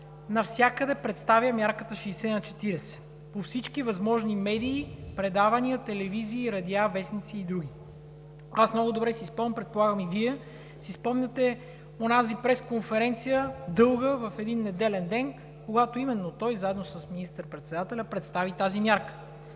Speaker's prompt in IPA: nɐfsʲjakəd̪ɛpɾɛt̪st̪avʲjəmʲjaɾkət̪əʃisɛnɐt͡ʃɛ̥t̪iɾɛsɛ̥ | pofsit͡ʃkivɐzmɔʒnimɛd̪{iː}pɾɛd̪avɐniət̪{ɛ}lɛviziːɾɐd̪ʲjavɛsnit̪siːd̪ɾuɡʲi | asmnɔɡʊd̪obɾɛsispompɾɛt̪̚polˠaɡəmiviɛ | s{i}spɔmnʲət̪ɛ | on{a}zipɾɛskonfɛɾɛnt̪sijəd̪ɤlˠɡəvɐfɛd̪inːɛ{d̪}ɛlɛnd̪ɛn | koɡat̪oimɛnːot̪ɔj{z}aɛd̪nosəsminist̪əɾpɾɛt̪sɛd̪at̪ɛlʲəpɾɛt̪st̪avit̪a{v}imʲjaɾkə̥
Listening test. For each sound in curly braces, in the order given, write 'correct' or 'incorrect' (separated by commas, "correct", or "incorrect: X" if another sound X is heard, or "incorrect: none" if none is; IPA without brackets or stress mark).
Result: correct, correct, correct, correct, correct, correct, incorrect: z